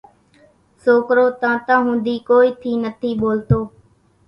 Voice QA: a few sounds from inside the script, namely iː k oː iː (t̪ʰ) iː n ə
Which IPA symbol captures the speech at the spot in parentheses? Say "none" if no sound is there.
t̪ʰ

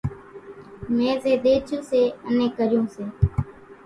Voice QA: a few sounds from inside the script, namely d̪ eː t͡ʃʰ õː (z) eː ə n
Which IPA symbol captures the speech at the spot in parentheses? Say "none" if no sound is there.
s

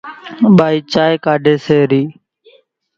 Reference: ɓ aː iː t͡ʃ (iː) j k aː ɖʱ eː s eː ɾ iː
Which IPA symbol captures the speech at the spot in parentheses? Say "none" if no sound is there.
aː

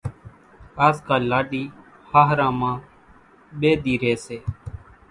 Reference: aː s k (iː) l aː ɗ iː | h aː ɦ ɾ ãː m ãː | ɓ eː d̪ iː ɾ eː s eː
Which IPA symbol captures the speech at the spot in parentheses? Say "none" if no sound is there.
aː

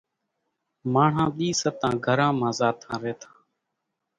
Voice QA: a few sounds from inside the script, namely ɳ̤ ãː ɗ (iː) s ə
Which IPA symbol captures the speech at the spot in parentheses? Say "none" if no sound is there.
iː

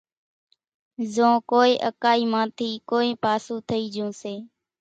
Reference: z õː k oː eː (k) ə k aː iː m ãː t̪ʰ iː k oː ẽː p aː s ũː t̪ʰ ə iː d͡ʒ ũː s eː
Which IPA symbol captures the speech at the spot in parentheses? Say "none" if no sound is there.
ʔ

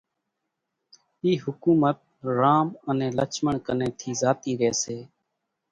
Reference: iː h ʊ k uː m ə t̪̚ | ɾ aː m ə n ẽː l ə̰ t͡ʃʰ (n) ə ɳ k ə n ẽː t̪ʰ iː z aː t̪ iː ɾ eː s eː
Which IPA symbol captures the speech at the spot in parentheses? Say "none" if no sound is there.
m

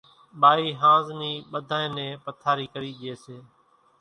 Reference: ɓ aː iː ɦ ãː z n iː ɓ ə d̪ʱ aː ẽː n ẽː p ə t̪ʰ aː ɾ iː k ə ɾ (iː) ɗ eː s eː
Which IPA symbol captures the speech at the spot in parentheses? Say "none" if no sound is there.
iː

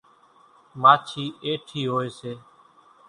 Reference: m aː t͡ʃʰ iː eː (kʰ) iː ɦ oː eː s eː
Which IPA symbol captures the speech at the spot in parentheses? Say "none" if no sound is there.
ʈʰ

